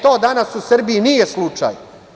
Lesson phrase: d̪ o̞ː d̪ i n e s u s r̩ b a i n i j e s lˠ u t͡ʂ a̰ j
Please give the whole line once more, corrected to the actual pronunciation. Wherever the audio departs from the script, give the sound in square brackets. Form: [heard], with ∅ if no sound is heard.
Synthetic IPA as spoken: [t̪] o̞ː d̪ [a] n [a] s u s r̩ b [i] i n i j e s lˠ u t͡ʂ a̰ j